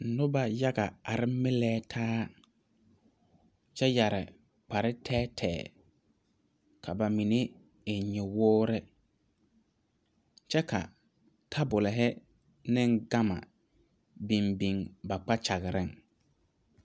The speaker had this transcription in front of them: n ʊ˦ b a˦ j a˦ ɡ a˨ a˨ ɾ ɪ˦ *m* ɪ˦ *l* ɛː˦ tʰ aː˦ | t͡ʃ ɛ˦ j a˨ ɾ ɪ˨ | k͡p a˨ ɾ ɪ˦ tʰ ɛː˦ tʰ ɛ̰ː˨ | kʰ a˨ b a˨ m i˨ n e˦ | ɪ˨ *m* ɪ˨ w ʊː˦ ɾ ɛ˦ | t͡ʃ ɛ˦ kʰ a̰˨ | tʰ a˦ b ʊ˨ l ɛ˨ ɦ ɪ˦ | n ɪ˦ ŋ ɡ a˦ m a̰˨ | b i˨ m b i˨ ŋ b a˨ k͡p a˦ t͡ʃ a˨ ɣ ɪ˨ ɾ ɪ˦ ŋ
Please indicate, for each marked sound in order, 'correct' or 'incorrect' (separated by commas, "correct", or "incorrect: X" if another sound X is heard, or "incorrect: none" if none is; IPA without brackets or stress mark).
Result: correct, correct, incorrect: ɲ